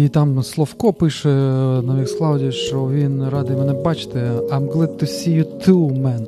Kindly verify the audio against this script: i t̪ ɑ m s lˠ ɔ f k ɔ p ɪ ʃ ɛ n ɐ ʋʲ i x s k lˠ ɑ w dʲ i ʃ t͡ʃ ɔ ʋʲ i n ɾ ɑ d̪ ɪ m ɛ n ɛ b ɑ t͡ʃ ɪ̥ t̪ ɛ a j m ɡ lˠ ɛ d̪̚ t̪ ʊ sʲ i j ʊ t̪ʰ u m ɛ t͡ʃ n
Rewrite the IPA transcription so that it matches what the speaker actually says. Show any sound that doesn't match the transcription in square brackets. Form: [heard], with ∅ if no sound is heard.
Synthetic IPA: i t̪ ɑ m s lˠ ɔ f k ɔ p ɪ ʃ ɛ n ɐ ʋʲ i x s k lˠ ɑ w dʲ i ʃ t͡ʃ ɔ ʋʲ i n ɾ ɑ d̪ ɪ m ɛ n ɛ b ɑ t͡ʃ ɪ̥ t̪ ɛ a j m ɡ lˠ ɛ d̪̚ t̪ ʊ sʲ i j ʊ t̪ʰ u m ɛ [∅] n